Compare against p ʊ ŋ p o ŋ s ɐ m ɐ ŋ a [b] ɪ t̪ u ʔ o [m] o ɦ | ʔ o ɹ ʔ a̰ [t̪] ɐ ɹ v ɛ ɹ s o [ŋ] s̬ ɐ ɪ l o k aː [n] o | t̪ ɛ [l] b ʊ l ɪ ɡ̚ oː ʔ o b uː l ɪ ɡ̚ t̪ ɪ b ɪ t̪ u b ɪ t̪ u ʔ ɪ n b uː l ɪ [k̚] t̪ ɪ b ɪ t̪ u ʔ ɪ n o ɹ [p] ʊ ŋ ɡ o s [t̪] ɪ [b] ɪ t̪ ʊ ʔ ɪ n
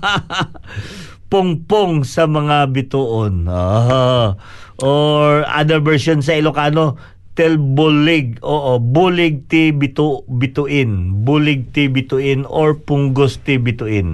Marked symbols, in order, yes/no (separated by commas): yes, no, no, no, yes, yes, no, yes, yes, yes